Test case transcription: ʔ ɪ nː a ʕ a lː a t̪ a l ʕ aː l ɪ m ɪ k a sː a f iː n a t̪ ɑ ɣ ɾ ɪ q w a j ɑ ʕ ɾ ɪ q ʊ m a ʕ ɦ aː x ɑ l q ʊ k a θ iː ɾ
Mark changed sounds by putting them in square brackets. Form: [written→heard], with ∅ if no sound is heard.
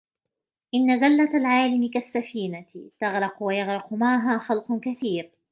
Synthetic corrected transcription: ʔ ɪ nː a [ʕ→z] a lː a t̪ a l ʕ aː l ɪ m ɪ k a sː a f iː n a t̪ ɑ ɣ ɾ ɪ q w a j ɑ [ʕ→ɣ] ɾ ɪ q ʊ m a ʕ ɦ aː x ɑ l q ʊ k a θ iː ɾ